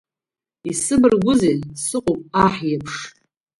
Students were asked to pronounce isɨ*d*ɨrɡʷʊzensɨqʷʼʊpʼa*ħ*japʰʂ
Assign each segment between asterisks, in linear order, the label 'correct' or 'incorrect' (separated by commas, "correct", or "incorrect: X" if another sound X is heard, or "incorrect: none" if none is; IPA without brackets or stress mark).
incorrect: b, correct